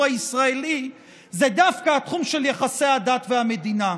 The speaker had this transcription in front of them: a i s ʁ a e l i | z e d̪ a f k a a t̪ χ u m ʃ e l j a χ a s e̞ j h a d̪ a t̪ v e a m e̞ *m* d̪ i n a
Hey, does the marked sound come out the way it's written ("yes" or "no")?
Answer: no